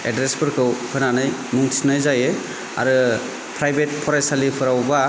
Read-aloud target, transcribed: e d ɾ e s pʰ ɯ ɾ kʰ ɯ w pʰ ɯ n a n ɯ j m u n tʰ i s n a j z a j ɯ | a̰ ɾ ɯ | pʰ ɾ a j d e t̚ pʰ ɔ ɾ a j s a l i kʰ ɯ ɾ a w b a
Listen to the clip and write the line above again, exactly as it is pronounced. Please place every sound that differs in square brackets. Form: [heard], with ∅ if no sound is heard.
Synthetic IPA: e d ɾ e s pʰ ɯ ɾ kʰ ɯ w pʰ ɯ n a n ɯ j m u [ŋ] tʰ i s n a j z a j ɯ | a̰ ɾ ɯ | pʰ ɾ a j [b] e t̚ pʰ ɔ ɾ a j s a l i [pʰ] ɯ ɾ a w b a